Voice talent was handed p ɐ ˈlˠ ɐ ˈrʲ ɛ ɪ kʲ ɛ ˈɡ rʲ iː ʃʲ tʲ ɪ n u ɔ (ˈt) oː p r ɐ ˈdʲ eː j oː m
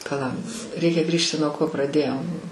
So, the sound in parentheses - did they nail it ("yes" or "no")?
no